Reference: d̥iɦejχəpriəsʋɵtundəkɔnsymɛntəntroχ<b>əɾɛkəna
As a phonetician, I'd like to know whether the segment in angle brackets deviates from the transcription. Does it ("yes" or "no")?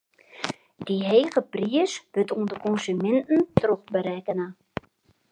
no